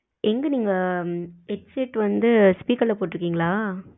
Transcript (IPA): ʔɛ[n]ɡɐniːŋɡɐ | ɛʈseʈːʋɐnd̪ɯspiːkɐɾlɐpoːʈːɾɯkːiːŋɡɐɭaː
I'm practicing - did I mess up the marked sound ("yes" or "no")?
yes